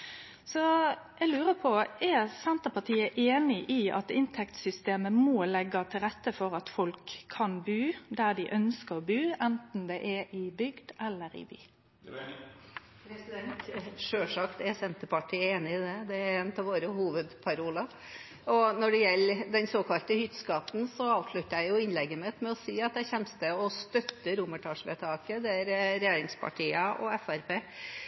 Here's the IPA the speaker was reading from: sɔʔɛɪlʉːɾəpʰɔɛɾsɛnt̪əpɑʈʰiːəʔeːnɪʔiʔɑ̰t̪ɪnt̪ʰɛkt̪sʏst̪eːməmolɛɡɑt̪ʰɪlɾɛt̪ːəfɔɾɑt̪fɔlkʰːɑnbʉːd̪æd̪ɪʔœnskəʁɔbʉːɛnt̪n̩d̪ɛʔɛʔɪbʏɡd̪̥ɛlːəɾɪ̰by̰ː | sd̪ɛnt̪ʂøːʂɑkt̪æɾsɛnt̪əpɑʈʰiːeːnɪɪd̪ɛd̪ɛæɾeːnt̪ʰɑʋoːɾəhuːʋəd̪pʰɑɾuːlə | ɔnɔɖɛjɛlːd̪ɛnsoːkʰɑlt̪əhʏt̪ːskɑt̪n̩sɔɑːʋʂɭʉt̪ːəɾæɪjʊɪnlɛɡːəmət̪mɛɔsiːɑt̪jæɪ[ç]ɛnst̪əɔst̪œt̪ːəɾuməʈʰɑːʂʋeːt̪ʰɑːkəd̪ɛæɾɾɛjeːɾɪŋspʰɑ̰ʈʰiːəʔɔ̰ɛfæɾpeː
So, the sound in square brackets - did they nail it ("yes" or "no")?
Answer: yes